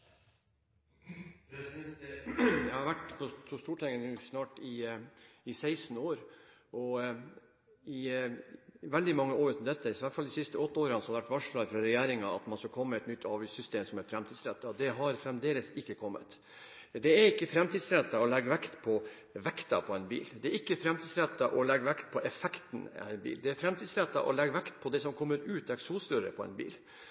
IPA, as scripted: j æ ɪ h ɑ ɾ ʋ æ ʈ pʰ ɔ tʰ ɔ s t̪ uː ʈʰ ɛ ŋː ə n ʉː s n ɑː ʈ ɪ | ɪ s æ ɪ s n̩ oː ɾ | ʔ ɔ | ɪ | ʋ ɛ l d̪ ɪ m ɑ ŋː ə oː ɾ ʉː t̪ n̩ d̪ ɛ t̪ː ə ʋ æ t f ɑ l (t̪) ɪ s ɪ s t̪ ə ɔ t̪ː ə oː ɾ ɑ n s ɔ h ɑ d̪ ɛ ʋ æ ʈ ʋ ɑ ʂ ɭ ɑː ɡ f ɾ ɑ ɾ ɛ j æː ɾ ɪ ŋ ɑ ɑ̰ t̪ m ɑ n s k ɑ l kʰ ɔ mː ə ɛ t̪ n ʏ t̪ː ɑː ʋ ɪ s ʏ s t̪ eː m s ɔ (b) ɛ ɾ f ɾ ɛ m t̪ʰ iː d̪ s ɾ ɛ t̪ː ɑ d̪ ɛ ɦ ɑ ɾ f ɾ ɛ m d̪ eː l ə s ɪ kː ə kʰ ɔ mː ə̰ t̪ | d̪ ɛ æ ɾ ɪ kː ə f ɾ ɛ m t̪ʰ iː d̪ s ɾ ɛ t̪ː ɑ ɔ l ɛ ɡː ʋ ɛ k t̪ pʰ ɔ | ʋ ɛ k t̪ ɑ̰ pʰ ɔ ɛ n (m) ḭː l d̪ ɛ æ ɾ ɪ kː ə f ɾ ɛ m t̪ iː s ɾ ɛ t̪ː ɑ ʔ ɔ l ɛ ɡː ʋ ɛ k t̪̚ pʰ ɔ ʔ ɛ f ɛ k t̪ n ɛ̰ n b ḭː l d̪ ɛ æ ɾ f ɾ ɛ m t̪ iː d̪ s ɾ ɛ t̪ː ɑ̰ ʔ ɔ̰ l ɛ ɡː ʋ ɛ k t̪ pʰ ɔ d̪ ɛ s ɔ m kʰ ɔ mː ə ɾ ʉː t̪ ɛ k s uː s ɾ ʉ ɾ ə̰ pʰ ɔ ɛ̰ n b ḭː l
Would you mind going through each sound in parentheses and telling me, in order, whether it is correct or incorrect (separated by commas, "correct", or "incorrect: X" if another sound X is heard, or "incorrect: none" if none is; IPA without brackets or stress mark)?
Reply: incorrect: d̪, incorrect: m, incorrect: b